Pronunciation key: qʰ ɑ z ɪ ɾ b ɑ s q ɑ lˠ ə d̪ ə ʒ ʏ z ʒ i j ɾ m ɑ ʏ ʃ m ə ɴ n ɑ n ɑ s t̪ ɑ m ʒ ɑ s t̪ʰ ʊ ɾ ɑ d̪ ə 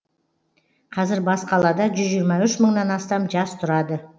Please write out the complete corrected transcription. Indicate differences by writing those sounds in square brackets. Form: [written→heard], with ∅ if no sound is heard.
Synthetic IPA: qʰ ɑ z ɪ ɾ b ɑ s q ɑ lˠ [ə→ɑ] d̪ [ə→ɑ] ʒ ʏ z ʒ i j ɾ m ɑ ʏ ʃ m ə ɴ n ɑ n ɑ s t̪ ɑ m ʒ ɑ s t̪ʰ ʊ ɾ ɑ d̪ ə